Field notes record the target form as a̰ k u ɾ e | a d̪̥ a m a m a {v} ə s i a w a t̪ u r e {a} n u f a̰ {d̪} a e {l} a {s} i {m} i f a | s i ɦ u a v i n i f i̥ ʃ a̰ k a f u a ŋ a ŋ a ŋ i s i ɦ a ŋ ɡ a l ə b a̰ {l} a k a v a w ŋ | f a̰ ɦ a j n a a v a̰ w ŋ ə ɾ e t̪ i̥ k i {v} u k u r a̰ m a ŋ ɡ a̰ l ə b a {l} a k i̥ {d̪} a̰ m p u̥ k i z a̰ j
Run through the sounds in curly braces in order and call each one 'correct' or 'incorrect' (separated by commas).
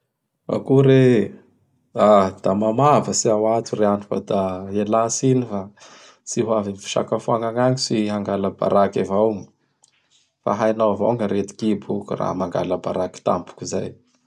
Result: correct, correct, correct, correct, correct, incorrect, incorrect, incorrect, incorrect, incorrect